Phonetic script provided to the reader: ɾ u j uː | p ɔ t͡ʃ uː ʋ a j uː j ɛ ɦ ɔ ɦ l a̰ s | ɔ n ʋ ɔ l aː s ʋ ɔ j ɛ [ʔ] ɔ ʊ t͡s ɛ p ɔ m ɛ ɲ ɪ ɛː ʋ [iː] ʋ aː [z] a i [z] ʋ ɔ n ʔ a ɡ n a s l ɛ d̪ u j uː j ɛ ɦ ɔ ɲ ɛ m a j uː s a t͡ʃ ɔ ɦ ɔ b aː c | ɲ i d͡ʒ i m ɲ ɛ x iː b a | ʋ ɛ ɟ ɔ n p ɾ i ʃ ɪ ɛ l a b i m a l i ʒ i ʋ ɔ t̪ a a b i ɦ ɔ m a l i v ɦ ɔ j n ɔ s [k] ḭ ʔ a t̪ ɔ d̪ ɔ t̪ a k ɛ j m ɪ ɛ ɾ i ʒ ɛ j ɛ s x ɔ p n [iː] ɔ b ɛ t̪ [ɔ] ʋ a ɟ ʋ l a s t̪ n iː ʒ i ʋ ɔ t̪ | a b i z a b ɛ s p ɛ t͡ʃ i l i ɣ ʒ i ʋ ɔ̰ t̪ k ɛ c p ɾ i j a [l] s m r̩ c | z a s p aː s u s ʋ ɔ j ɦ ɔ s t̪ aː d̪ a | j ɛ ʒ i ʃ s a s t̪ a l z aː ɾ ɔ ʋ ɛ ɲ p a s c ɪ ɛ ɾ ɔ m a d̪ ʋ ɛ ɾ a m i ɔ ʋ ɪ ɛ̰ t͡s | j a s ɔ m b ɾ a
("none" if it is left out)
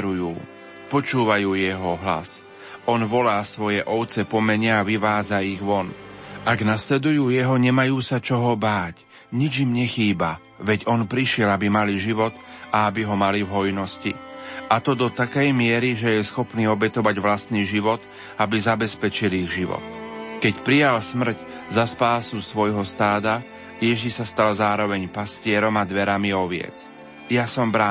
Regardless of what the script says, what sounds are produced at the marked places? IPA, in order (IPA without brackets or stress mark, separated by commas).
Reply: ʔ, i, d͡z, ɣ, c, iː, ɔ, l